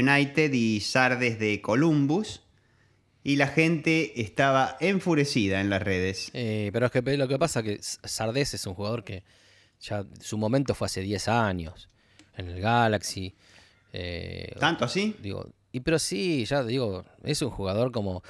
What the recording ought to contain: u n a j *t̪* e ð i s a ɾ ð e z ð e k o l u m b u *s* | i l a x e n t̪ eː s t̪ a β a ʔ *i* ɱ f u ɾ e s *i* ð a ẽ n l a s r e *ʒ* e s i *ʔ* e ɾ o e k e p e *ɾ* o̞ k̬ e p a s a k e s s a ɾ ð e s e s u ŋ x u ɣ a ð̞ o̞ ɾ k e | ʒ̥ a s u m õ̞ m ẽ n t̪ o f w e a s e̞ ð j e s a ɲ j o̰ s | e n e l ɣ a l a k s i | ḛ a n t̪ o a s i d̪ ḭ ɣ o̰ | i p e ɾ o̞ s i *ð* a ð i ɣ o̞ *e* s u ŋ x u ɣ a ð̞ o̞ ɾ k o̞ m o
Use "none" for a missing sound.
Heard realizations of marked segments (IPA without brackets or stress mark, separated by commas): t̪, s, e, i, ð, p, l, ʒ, e